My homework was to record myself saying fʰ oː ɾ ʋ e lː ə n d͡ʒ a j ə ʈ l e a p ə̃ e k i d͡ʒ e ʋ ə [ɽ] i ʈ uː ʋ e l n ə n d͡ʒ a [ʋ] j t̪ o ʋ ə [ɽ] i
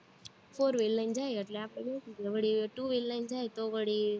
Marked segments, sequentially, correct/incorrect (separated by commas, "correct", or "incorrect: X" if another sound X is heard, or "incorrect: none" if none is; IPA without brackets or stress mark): correct, incorrect: none, correct